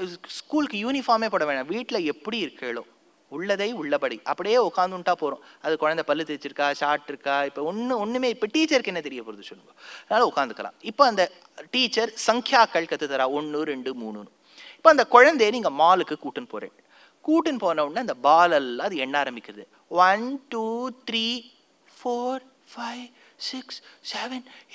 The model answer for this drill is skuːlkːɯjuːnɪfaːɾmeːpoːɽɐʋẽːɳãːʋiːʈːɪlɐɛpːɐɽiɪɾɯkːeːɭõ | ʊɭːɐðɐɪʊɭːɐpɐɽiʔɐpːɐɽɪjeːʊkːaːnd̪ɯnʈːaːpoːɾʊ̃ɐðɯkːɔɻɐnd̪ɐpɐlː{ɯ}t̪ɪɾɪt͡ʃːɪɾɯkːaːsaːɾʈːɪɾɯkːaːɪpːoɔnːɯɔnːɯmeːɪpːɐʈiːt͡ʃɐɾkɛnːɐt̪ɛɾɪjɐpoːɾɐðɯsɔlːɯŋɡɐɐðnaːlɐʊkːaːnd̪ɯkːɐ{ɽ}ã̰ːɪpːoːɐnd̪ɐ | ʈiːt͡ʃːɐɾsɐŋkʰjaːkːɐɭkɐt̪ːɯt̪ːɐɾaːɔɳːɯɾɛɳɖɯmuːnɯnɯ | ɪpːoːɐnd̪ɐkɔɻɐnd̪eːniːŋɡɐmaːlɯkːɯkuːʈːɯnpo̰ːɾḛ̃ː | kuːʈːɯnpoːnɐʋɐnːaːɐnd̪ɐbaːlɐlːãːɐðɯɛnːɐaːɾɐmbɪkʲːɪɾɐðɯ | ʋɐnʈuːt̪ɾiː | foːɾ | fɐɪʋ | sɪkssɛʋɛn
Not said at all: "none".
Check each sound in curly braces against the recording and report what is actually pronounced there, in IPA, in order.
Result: ɯ, l

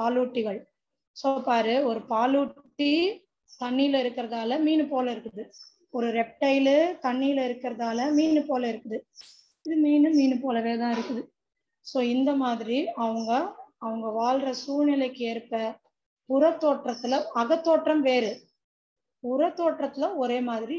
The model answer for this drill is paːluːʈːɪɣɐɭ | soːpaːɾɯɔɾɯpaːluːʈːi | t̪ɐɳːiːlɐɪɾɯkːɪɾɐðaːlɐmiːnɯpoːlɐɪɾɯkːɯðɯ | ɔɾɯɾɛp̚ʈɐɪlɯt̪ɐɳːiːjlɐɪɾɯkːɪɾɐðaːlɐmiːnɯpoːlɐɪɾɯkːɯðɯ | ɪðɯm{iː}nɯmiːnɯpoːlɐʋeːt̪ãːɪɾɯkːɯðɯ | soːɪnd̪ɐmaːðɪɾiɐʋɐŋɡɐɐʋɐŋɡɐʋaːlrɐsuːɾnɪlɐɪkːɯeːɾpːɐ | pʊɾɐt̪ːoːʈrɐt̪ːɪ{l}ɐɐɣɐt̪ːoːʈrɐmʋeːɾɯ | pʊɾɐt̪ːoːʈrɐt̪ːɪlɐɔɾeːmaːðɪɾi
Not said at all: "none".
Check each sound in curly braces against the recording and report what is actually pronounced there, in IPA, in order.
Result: iː, l

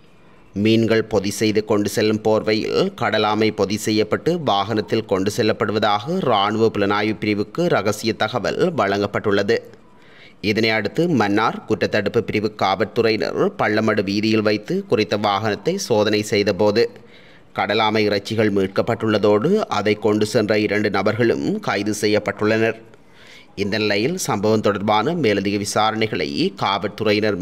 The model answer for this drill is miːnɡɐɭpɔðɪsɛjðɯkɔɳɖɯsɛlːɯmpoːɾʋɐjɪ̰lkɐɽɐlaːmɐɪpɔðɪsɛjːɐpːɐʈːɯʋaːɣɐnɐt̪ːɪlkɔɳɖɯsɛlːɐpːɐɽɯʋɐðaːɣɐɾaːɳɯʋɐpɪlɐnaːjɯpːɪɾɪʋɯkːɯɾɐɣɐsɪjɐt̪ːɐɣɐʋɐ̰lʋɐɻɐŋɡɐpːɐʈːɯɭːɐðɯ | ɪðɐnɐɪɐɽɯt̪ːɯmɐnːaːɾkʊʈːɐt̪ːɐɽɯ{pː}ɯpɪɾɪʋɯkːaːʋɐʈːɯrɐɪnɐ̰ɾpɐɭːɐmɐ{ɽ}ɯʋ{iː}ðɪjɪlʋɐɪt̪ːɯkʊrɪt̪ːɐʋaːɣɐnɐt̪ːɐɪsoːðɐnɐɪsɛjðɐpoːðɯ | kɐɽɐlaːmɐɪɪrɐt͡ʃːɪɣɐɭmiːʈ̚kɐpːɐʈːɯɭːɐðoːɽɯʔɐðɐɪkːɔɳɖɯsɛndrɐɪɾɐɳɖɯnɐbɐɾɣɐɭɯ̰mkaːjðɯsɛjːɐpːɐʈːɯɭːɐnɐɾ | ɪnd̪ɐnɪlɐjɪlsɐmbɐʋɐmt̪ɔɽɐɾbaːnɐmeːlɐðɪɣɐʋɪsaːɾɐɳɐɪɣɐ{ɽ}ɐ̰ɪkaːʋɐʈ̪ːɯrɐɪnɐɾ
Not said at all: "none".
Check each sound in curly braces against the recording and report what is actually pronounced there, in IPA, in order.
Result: pː, ɽ, iː, ɭ

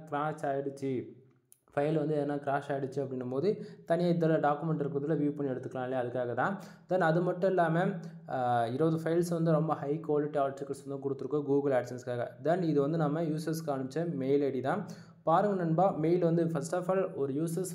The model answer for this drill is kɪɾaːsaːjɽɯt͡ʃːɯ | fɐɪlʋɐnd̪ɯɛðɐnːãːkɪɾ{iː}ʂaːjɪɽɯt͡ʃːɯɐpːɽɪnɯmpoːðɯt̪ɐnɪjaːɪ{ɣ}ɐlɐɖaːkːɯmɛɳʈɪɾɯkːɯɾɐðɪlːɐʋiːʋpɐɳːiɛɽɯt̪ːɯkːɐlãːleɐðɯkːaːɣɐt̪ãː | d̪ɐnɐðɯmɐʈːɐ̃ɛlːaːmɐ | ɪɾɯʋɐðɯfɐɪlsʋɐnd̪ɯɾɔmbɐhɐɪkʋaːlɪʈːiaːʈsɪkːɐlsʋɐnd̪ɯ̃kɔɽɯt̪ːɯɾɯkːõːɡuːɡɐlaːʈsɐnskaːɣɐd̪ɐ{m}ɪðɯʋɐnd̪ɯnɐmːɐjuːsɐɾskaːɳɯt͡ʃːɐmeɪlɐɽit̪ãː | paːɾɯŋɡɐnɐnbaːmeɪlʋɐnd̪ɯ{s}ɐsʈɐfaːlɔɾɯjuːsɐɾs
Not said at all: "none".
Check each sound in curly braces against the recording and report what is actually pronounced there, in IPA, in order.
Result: aː, ð, n, f

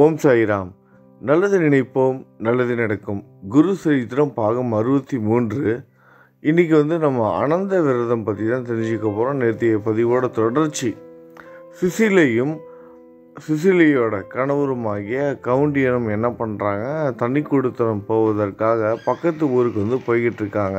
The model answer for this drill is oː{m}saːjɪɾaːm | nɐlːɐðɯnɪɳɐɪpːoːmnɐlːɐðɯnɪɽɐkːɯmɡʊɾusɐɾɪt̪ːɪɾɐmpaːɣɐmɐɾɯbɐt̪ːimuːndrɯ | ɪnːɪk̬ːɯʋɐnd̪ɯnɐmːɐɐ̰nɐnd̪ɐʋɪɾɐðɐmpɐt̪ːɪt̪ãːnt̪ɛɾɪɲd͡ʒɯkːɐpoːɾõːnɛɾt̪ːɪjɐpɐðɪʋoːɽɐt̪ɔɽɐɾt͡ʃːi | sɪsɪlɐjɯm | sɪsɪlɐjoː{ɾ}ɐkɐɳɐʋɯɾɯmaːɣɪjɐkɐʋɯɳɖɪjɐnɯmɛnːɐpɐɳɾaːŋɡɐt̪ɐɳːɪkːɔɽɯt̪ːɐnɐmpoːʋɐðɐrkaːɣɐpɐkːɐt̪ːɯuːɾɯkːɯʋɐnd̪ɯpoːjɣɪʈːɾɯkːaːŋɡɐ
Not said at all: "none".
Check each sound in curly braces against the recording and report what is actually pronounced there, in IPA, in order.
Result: m, ɽ

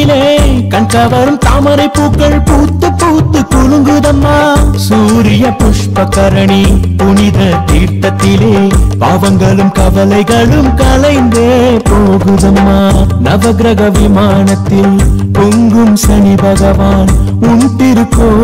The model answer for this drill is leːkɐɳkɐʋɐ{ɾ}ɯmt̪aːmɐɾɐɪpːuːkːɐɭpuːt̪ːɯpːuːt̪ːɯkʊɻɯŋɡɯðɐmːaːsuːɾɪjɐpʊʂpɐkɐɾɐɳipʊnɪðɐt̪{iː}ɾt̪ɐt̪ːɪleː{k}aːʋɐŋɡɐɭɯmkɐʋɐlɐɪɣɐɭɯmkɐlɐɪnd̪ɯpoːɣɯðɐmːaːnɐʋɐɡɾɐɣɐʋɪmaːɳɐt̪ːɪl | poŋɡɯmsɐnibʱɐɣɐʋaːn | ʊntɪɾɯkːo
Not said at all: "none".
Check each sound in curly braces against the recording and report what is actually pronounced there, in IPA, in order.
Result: ɾ, iː, p

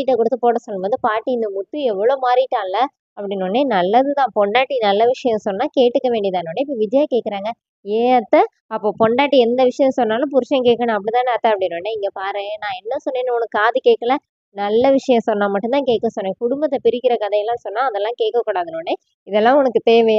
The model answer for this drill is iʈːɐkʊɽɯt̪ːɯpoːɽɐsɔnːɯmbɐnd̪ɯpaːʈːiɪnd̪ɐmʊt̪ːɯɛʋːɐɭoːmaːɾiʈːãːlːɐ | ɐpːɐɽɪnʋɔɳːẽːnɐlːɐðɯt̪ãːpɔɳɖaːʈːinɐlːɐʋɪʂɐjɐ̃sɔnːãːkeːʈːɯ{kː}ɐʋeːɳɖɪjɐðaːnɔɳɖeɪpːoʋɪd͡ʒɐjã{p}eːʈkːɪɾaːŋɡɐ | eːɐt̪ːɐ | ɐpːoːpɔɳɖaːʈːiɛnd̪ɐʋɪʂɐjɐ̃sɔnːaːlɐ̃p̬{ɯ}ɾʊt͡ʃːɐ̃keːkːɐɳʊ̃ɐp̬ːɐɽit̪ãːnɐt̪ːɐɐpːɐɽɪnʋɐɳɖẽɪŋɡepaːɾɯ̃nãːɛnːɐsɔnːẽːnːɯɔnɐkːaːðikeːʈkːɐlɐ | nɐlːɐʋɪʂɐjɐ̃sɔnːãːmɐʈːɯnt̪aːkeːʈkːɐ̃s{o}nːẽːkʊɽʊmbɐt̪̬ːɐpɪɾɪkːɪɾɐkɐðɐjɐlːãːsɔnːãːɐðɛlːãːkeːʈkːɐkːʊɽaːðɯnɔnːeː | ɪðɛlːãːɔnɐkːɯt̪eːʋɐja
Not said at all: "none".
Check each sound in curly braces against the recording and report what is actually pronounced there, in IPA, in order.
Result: kː, k, ʊ, ɔ

